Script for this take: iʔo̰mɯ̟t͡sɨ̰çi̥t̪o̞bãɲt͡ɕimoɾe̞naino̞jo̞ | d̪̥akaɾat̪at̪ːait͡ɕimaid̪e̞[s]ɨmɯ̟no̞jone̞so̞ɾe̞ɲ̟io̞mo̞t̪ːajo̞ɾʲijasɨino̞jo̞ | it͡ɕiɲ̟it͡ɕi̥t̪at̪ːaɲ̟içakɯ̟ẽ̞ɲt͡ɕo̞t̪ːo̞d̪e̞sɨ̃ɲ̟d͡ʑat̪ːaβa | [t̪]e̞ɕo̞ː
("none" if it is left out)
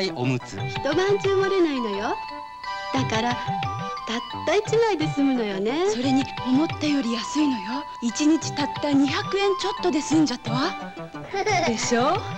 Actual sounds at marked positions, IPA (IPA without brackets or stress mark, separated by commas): s, d̪